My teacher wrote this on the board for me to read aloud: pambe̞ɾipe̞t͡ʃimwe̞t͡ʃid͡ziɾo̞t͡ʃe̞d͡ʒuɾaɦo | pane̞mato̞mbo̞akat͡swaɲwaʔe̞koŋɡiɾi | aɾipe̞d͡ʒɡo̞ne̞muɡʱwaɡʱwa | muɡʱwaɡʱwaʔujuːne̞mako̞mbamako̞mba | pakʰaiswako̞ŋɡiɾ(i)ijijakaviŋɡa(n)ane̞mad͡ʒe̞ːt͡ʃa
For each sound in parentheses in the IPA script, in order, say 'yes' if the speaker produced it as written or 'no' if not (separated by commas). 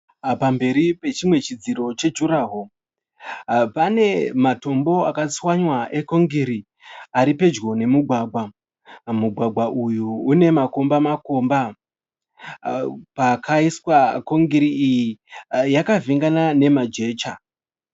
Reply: yes, yes